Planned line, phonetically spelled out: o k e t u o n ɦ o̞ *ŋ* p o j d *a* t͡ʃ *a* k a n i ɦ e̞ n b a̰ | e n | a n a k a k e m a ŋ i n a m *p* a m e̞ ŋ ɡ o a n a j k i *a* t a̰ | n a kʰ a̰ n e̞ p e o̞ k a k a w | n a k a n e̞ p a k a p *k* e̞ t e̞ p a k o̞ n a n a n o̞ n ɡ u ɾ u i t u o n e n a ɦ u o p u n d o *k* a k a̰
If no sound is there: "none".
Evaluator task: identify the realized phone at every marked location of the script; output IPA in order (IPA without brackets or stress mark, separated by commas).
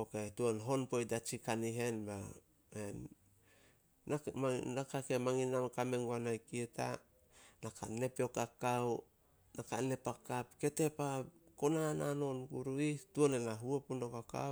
n, a, i, k, e, k, k